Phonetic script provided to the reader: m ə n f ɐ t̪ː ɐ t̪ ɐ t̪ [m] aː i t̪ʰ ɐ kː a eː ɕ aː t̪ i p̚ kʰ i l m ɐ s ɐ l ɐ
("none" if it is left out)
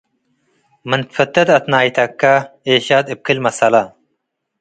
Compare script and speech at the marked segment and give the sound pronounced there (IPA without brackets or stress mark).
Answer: n